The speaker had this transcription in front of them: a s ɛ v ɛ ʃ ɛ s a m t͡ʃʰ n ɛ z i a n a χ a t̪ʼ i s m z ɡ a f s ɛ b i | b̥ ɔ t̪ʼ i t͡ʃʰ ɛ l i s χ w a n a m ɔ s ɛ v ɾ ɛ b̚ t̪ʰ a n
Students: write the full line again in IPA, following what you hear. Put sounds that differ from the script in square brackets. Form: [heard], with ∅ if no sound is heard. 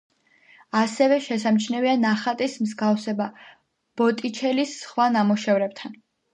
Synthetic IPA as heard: a s ɛ v ɛ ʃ ɛ s a m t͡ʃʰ n ɛ [v] i a n a χ a t̪ʼ i s m z ɡ a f s ɛ b [a] | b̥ ɔ t̪ʼ i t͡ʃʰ ɛ l i s χ w a n a m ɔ [ʃ] ɛ v ɾ ɛ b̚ t̪ʰ a n